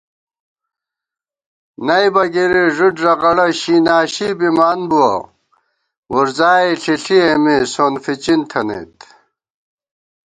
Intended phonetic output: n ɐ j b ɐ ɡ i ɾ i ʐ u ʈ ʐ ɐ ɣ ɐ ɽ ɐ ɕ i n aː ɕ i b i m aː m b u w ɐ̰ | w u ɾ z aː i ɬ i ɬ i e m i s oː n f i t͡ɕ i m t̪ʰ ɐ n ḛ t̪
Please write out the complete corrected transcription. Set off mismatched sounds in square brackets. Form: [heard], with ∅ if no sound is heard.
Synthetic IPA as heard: n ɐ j b ɐ ɡ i ɾ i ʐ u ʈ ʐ ɐ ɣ ɐ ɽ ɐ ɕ i n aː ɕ i b i m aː [n] b u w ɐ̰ | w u ɾ z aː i ɬ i ɬ i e m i s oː n f i t͡ɕ i [n] t̪ʰ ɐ n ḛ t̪